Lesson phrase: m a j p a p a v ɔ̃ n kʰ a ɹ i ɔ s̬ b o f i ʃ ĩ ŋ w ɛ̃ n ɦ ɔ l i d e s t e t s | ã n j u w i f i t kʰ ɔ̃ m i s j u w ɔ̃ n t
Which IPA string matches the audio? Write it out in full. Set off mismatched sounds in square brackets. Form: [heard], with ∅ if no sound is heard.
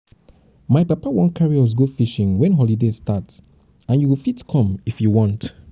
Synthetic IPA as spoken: m a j p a p a [w] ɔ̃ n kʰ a ɹ i ɔ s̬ [ɡ] o f i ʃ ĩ ŋ w ɛ̃ n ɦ ɔ l i d e s t [a] t s | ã n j u w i f i t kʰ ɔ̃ m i [f] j u w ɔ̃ n t

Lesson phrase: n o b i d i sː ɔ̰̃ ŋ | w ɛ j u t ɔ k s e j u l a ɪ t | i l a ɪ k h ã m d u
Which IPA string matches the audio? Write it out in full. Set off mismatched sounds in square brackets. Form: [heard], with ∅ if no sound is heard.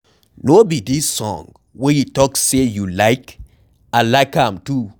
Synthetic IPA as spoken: n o b i d i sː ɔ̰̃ ŋ | w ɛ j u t ɔ k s e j u l a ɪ [k] | [a] l a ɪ k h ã m [t] u

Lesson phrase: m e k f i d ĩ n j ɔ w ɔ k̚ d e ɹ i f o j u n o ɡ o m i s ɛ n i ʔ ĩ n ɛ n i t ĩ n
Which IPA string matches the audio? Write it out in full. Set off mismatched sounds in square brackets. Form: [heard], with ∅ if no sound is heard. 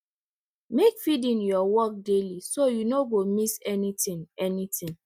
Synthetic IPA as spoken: m e k f i d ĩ n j ɔ w ɔ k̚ d e [l] i [s] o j u n o ɡ o m i s ɛ n i [t] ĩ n ɛ n i t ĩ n

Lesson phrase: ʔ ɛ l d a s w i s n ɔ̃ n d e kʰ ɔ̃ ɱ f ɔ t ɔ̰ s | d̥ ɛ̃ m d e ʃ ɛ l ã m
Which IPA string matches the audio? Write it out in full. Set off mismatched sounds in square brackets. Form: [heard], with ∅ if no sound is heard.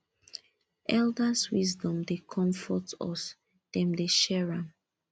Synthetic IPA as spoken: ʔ ɛ l d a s w i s [d] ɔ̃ [m] d e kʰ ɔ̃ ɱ f ɔ t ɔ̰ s | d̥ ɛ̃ m d e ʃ ɛ [ɹ] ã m

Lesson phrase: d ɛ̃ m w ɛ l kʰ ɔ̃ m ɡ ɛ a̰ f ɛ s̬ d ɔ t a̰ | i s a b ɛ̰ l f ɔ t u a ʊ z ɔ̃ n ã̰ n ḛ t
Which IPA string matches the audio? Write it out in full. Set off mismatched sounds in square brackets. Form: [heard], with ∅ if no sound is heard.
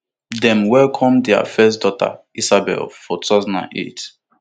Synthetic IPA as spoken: d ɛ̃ m w ɛ l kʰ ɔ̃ m [d] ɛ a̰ f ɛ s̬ d ɔ t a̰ | i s a b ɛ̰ l f ɔ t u a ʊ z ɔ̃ n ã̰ n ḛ t

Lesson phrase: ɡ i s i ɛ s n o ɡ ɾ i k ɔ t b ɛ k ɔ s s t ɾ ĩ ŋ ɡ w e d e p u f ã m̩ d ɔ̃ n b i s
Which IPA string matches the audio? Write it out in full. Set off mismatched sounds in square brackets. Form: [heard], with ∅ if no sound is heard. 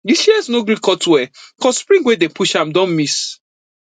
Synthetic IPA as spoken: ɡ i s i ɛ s n o ɡ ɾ i k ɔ t [w] ɛ k ɔ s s [p] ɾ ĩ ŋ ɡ w e d e p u [ʃ] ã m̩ d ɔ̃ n [m] i s

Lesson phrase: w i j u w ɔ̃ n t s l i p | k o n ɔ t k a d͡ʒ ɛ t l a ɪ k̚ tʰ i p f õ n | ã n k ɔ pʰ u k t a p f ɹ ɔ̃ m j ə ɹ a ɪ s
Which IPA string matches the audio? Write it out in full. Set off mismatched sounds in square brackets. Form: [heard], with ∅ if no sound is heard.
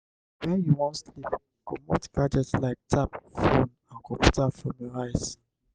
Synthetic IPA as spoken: w [ɛ] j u w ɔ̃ n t s l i p | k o [m] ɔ t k a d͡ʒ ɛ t l a ɪ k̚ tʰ [a] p f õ n | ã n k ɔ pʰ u [∅] t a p f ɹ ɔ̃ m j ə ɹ a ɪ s

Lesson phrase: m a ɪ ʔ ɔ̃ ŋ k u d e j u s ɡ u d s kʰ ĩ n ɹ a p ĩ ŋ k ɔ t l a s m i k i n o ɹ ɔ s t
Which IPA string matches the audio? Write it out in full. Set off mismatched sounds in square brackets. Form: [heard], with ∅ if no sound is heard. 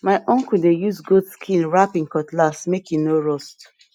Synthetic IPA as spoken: m a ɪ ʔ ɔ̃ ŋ k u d e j u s ɡ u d s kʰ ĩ n ɹ a p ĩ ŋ k ɔ t l a s m [e] k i n o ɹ ɔ s t

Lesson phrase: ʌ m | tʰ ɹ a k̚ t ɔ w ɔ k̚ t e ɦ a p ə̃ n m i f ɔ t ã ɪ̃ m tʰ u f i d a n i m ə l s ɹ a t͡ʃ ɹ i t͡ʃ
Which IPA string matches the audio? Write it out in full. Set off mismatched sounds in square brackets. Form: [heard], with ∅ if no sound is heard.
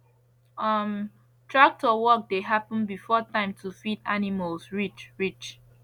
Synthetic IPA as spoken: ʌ m | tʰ ɹ a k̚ t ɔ w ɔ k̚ [d] e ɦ a p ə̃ n [b] i f ɔ t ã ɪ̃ m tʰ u f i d a n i m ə l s ɹ [i] t͡ʃ ɹ i t͡ʃ

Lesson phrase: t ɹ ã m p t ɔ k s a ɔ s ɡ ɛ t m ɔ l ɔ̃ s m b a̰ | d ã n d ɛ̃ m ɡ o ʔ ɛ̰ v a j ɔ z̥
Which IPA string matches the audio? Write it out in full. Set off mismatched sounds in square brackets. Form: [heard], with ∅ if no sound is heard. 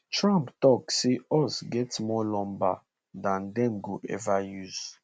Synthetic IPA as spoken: t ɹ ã m p t ɔ k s [e] ɔ s ɡ ɛ t m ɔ l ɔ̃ [∅] m b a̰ | d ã n d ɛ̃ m ɡ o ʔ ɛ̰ v a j [u] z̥

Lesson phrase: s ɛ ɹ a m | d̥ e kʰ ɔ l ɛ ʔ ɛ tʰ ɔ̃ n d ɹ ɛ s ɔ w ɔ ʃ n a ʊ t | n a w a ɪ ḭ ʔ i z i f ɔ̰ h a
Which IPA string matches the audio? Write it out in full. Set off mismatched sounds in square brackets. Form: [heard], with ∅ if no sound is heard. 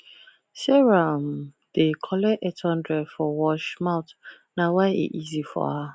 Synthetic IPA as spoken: s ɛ ɹ a m | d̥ e kʰ ɔ l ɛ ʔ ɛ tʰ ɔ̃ n d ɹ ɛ [f] ɔ w ɔ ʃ [m] a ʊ t | n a w a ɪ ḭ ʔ i z i f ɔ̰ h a

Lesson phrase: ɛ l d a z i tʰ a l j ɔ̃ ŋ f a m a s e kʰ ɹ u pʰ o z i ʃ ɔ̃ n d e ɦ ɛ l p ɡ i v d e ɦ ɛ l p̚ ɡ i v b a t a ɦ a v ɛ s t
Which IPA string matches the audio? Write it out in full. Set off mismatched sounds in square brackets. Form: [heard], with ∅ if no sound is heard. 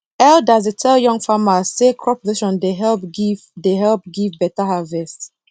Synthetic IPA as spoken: ɛ l d a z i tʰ [ɛ] l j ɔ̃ ŋ f a m a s e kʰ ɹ [ɔ] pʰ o z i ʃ ɔ̃ n d e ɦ ɛ l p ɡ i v d e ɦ ɛ l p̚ ɡ i v b [ɛ] t a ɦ a v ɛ s t

